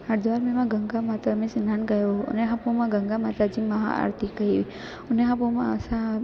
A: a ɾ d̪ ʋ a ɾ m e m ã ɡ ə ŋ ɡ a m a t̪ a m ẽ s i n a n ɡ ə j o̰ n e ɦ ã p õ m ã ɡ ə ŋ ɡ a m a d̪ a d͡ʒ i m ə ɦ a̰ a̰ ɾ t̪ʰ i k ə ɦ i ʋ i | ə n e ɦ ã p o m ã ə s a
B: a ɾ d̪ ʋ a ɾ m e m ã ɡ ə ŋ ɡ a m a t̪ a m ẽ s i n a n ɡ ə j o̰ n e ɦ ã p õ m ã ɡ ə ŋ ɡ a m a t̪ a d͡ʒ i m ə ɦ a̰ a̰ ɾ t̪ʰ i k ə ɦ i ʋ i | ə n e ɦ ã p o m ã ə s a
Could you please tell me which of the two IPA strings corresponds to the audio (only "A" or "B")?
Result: B